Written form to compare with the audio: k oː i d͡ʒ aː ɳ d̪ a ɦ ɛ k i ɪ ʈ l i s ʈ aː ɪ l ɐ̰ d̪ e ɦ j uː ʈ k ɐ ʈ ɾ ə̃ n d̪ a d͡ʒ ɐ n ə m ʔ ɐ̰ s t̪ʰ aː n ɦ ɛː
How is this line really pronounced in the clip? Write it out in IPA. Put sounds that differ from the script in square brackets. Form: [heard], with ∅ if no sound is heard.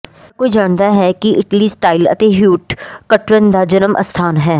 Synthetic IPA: k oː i d͡ʒ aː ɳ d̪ a ɦ ɛ k i ɪ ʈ l i s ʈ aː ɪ l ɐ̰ [t̪] e ɦ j uː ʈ k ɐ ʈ ɾ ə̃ n d̪ a d͡ʒ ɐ n ə m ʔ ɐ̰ s t̪ʰ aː n ɦ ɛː